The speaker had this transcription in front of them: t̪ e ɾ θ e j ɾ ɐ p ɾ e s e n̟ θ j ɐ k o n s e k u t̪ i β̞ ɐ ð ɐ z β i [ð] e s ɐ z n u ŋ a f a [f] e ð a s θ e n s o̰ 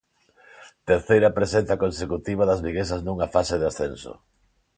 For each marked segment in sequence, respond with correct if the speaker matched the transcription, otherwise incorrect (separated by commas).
incorrect, incorrect